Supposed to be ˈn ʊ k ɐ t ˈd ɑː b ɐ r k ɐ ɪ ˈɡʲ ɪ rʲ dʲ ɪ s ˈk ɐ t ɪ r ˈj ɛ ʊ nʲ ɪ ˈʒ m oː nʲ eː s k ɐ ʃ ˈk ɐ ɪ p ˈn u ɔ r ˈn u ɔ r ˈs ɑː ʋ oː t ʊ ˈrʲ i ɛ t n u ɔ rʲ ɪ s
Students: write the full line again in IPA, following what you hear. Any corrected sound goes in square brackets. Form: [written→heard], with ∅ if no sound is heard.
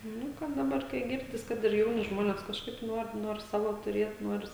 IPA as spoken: ˈn ʊ k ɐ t ˈd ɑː b ɐ r k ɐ ɪ ˈɡʲ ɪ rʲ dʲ ɪ s ˈk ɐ t ɪ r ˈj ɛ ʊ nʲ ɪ ˈʒ m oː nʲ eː s k ɐ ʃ ˈk ɐ ɪ p ˈn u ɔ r ˈn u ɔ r ˈs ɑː ʋ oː t ʊ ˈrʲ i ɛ t n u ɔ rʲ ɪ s